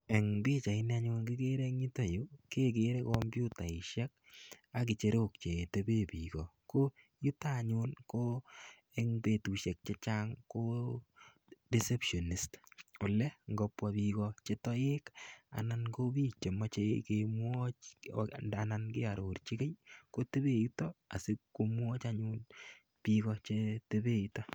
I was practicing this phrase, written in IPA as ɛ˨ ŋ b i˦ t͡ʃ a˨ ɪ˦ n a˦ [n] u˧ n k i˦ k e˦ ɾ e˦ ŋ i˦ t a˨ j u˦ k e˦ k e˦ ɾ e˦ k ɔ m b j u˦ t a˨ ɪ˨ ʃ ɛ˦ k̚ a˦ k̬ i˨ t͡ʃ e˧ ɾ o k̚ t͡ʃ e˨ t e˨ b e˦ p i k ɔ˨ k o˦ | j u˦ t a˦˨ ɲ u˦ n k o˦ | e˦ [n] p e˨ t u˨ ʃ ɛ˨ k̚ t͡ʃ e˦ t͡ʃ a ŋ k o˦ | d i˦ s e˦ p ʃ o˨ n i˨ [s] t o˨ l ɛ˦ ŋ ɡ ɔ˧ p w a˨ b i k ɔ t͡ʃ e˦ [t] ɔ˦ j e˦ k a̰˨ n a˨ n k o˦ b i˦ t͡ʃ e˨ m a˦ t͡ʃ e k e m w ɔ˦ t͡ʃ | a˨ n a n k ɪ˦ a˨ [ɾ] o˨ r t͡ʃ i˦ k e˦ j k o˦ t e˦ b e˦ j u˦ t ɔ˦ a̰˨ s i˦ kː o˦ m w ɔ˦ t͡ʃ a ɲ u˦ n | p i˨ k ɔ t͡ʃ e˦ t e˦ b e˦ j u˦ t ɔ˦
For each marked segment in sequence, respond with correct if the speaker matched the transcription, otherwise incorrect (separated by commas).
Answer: incorrect, incorrect, correct, correct, correct